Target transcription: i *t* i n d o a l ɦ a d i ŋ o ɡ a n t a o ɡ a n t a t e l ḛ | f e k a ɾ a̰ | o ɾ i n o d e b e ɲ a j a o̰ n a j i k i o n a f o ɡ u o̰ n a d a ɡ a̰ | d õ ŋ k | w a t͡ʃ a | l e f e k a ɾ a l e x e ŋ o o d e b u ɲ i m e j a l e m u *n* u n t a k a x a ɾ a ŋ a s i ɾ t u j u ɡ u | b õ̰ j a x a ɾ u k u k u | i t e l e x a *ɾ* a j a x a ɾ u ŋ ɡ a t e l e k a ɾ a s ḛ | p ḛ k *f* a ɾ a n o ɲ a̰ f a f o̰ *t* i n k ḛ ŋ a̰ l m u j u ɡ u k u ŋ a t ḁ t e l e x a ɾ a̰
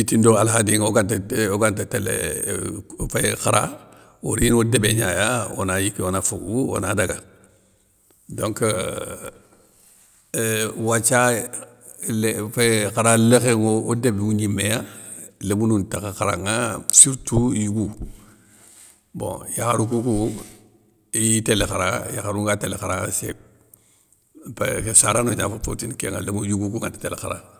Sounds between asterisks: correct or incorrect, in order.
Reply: correct, correct, correct, incorrect: s, correct

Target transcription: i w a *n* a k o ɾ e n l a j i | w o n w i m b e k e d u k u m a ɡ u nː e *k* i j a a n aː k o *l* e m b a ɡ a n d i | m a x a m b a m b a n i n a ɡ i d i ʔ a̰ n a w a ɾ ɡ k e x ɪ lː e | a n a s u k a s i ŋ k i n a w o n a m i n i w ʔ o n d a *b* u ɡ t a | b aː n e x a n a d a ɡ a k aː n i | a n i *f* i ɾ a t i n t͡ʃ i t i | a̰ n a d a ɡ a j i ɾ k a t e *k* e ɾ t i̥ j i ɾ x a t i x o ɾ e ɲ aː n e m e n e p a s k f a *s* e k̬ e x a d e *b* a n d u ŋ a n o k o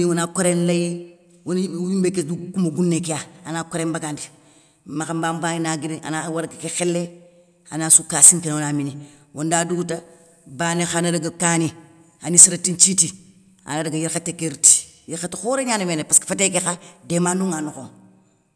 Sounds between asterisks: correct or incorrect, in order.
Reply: correct, correct, incorrect: ɾ, incorrect: d, incorrect: s, correct, incorrect: t, incorrect: m

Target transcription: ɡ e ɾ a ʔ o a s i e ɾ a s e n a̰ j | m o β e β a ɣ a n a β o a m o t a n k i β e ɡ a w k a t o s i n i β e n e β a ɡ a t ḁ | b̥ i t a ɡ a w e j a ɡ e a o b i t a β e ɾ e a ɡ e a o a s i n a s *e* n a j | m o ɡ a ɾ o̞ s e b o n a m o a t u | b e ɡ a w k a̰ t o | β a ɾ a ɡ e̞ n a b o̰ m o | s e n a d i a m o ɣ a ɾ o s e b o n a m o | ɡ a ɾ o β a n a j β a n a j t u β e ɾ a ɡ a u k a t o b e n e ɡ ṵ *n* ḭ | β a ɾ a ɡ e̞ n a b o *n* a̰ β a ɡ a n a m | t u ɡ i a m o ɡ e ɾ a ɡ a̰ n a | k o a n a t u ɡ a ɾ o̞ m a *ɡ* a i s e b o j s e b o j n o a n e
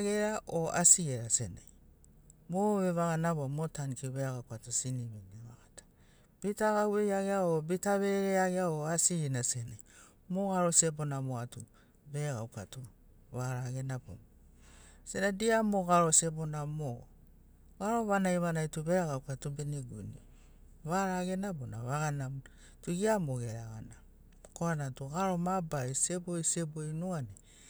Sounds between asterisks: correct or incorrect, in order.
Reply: correct, correct, correct, incorrect: b

